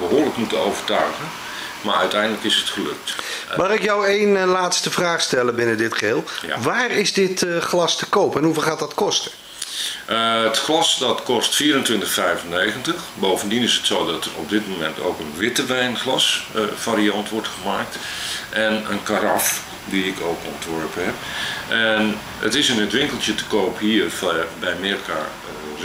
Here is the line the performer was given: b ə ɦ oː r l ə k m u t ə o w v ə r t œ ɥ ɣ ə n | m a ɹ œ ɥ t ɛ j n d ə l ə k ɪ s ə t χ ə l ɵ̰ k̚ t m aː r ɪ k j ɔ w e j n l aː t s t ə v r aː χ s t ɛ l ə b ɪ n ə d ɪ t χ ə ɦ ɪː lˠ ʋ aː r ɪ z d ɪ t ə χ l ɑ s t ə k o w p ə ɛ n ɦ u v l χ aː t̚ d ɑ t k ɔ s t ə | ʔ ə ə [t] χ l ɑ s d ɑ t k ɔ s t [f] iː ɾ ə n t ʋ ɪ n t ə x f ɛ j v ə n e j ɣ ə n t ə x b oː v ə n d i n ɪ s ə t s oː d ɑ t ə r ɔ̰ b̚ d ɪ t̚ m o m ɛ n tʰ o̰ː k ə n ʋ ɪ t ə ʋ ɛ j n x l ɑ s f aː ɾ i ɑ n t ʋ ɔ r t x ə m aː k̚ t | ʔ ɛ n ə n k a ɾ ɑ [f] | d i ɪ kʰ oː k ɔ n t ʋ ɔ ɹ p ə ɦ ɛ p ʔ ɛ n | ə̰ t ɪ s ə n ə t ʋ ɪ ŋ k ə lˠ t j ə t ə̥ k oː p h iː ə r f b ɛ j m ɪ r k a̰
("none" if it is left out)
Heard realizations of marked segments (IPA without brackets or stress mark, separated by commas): t, f, f